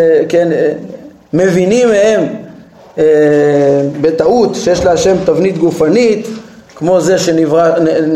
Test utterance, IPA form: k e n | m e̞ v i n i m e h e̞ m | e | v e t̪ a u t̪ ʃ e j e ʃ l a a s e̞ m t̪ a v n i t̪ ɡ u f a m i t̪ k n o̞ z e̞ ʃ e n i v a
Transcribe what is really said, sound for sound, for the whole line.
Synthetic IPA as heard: k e n | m e̞ v i n i m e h e̞ m | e | b e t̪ a u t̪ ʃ e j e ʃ l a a ʃ e̞ m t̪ a v n i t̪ ɡ u f a n i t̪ k m o̞ z e̞ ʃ e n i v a